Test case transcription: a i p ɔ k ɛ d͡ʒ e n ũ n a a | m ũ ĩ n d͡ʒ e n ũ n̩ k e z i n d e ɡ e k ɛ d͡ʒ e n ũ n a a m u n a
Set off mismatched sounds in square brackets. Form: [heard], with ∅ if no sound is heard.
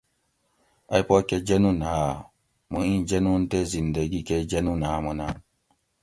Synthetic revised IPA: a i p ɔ k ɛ d͡ʒ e n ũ n a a | m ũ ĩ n d͡ʒ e n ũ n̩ [t] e z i n d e ɡ [i] k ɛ d͡ʒ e n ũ n a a m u n a